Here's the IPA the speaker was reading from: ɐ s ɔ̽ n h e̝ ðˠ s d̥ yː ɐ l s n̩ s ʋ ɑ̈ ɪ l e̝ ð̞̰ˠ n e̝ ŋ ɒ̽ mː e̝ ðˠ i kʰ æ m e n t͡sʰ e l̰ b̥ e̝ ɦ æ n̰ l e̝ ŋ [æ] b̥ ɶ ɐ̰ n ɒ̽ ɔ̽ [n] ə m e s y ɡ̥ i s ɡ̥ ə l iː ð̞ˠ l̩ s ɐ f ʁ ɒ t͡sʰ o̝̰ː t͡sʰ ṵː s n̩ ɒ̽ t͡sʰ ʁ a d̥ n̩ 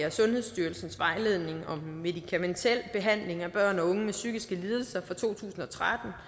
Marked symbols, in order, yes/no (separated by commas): yes, no